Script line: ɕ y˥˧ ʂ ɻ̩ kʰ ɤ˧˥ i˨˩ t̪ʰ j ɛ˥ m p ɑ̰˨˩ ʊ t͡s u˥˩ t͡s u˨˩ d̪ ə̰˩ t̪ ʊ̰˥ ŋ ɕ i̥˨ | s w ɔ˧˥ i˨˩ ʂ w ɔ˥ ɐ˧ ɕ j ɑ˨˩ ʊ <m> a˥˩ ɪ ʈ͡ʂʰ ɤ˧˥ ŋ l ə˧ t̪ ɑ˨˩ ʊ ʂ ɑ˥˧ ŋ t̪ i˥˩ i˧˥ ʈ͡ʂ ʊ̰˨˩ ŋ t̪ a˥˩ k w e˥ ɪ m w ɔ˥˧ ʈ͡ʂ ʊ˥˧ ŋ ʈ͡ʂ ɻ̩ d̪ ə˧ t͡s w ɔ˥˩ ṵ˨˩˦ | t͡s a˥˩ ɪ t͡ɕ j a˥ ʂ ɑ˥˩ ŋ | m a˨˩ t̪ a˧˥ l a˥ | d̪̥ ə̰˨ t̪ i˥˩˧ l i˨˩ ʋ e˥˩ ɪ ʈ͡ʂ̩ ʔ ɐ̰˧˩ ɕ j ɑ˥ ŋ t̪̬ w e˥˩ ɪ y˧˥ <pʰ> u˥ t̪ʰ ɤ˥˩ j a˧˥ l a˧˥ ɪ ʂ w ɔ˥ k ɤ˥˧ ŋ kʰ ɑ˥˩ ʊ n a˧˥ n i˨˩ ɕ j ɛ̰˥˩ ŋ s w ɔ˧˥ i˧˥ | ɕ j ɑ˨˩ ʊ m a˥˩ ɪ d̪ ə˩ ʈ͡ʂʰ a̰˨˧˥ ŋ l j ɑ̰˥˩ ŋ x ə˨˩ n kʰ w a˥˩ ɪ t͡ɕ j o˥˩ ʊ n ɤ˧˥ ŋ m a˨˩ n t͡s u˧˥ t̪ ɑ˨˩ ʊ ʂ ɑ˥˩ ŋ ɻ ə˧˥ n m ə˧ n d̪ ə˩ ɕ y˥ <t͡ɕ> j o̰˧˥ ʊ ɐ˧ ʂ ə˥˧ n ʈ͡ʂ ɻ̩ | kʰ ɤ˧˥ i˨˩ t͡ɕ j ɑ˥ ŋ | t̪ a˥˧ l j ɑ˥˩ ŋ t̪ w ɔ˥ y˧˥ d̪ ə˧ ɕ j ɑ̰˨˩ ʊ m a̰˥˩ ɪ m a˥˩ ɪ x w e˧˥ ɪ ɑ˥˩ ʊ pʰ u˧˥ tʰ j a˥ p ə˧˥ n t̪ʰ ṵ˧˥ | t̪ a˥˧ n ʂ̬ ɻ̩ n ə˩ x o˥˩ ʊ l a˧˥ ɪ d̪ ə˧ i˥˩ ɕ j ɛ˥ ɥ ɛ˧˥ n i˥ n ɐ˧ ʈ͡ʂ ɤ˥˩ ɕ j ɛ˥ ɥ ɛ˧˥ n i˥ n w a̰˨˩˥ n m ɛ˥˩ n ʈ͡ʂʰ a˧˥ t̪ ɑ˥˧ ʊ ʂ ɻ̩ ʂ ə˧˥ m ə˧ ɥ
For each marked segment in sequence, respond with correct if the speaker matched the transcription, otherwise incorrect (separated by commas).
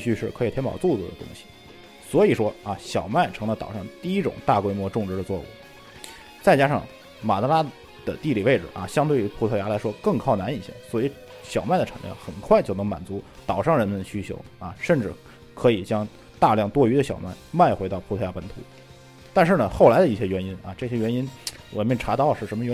correct, correct, incorrect